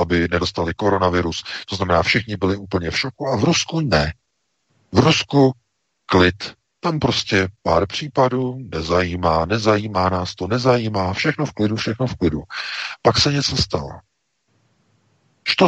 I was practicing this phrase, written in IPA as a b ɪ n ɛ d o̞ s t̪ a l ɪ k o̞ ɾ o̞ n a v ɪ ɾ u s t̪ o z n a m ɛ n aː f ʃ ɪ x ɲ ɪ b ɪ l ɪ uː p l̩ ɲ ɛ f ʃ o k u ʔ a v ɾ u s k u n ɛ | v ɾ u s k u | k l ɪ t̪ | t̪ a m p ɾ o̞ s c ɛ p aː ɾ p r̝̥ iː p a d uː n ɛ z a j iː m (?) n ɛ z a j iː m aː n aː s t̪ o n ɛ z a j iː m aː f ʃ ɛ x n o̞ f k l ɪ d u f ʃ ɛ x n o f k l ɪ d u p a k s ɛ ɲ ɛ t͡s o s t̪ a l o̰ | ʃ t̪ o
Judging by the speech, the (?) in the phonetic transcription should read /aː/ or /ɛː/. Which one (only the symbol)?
aː